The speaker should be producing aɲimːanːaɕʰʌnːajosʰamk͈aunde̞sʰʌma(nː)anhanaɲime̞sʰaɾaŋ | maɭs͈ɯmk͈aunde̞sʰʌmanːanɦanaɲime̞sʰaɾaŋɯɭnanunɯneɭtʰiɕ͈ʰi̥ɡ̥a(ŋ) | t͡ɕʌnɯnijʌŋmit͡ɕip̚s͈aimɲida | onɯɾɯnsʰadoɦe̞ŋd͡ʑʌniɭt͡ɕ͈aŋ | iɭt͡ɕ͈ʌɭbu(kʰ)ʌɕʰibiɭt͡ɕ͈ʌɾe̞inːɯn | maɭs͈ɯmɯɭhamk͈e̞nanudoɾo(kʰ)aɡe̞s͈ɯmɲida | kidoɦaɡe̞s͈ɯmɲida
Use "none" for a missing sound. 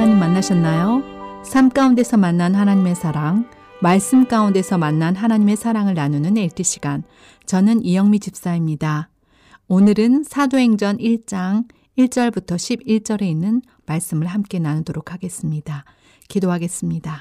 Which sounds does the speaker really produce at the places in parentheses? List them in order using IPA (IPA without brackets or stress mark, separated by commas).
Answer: nː, n, tʰ, kʰ